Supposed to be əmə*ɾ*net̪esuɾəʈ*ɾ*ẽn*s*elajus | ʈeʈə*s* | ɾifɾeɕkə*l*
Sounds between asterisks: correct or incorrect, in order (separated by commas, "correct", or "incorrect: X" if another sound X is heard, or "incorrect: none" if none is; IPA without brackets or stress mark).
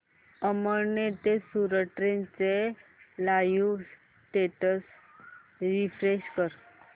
correct, correct, incorrect: t͡s, correct, incorrect: ɾ